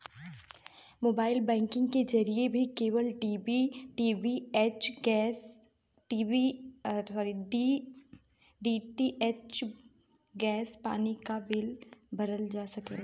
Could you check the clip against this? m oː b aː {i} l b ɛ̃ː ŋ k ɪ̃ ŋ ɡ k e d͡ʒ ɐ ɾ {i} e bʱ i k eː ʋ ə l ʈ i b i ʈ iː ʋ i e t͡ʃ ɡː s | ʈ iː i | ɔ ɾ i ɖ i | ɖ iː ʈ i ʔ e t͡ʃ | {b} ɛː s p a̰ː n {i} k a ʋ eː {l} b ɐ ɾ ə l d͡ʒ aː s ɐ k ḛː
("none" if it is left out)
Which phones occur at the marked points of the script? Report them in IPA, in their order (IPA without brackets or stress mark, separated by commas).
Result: ɪ, i, ɡ, i, l